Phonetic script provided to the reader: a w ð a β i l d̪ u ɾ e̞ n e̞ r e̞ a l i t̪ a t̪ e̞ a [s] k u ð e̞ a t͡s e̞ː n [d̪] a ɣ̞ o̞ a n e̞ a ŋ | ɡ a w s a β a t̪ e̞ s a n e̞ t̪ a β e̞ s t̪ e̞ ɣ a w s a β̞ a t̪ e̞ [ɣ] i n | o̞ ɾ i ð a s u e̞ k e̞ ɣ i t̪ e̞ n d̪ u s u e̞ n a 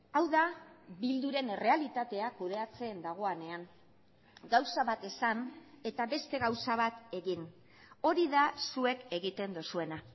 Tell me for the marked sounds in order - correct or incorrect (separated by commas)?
incorrect, correct, correct